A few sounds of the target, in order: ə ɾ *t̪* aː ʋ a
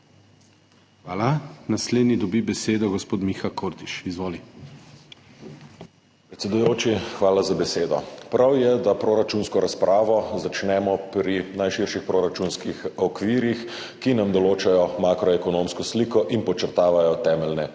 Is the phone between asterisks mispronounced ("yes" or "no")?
no